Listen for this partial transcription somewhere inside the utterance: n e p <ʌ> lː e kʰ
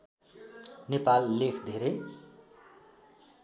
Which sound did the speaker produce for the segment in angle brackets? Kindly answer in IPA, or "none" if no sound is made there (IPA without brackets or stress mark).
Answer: a